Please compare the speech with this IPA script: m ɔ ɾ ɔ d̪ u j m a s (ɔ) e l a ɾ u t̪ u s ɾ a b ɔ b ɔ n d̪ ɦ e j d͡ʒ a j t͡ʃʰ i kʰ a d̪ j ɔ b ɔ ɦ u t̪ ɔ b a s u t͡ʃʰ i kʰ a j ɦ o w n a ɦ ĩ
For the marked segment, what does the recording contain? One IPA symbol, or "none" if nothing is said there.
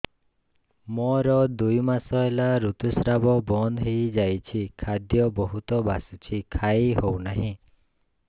ɔ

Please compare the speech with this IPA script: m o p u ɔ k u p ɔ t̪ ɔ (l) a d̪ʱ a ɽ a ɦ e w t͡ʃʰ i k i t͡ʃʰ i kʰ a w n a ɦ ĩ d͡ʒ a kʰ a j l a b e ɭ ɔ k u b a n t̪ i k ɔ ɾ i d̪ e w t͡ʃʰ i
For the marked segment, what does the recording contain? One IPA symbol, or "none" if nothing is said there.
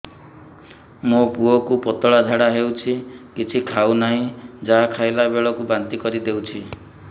ɭ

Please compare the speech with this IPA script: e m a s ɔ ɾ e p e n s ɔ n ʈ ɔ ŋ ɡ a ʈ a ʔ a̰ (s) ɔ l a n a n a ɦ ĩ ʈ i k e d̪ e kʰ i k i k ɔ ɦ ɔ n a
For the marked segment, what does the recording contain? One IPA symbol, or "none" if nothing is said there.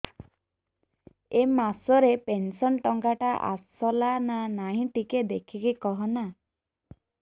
s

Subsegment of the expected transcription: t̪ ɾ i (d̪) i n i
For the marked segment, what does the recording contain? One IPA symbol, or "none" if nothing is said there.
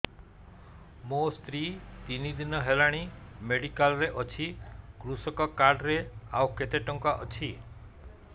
t̪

